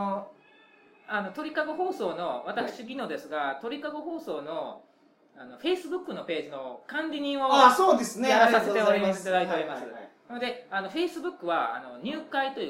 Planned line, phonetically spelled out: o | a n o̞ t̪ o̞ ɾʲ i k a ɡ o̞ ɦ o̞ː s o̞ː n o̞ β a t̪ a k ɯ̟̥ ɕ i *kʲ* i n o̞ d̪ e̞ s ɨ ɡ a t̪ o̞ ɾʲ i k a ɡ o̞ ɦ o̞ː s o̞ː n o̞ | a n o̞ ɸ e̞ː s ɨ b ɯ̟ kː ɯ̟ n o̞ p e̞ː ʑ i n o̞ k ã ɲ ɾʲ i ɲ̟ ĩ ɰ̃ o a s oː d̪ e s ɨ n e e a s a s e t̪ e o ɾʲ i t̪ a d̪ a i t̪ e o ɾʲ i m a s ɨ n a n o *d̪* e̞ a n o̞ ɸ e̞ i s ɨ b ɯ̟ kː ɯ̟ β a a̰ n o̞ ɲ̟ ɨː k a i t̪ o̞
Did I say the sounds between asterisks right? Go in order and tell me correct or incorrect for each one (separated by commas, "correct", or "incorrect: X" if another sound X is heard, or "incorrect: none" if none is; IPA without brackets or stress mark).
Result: incorrect: ɡʲ, correct